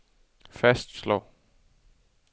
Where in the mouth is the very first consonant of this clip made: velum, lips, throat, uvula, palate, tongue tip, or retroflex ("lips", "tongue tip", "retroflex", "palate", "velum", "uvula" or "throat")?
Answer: lips